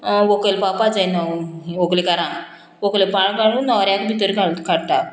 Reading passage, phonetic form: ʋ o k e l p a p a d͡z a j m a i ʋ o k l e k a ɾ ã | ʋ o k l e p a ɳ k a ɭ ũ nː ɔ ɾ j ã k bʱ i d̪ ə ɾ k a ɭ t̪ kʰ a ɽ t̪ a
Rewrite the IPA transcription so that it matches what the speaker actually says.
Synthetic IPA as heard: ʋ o k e l p a p a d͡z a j n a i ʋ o k l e k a ɾ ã | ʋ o k l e p a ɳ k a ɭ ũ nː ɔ ɾ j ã k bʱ i t̪ ə ɾ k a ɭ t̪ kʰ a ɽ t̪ a